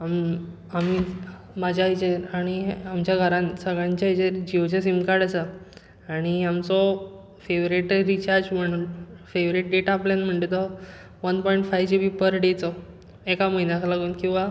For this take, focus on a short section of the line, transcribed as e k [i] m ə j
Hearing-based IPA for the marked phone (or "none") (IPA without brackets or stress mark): a